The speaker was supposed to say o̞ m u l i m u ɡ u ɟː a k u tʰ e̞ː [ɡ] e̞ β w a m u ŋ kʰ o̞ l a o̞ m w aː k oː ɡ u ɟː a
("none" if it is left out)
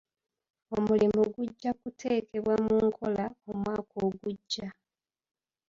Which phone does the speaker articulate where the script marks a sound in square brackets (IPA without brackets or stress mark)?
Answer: k